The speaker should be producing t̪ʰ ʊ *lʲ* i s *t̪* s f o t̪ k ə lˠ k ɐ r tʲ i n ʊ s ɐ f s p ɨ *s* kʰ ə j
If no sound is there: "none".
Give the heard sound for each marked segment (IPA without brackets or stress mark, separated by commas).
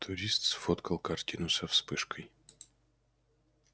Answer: ɾʲ, t̪, ʂ